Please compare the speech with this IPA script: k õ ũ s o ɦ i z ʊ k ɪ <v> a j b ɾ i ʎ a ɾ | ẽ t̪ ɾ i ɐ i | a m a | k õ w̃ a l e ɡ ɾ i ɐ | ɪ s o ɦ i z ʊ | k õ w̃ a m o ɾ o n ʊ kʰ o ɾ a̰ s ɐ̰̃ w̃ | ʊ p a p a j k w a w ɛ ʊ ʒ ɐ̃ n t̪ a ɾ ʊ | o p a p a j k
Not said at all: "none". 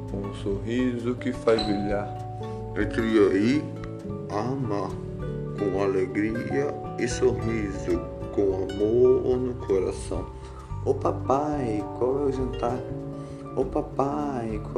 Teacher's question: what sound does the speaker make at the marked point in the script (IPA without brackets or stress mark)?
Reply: f